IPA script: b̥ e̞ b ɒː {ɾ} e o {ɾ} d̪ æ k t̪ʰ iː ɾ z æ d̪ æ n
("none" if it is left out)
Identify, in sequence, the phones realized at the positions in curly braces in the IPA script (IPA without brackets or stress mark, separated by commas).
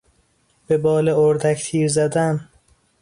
l, ɾ